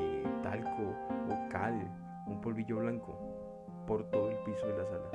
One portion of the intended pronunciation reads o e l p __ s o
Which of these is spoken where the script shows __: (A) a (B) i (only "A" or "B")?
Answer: B